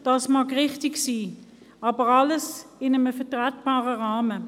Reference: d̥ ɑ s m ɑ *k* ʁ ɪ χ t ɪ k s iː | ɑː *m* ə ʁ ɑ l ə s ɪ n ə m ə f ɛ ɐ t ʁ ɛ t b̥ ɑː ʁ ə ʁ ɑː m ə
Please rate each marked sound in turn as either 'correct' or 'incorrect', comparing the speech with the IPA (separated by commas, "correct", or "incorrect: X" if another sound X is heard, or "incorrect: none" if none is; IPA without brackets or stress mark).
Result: correct, incorrect: b